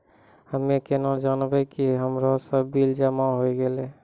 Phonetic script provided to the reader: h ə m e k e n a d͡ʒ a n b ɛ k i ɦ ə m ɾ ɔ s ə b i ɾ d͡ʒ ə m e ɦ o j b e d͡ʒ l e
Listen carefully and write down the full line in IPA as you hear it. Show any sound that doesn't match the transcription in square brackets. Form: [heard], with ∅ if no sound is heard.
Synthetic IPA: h ə m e k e n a d͡ʒ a n b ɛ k i ɦ ə m ɾ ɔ s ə b i [l] d͡ʒ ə m [a] ɦ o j [ɡ] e [∅] l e